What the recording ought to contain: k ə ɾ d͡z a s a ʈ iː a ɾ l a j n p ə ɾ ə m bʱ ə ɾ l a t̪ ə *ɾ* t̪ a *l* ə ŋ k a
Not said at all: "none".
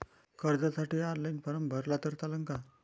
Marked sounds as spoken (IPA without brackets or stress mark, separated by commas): ɾ, l